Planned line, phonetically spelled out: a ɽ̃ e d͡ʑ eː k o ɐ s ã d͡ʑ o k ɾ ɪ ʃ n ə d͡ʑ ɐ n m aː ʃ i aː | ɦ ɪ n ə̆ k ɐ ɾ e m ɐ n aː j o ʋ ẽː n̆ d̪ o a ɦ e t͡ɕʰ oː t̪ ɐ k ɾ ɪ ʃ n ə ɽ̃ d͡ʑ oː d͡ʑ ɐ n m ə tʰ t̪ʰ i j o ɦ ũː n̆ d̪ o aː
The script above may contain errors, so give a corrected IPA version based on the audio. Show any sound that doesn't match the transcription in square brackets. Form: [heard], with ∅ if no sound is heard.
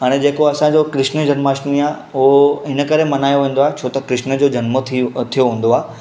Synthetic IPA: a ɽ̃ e d͡ʑ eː k o ɐ s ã d͡ʑ o k ɾ ɪ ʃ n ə d͡ʑ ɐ n m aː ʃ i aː | ɦ ɪ n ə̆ k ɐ ɾ e m ɐ n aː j o ʋ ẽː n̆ d̪ o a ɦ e t͡ɕʰ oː t̪ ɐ k ɾ ɪ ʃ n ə [∅] d͡ʑ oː d͡ʑ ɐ n m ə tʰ t̪ʰ i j o ɦ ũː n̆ d̪ o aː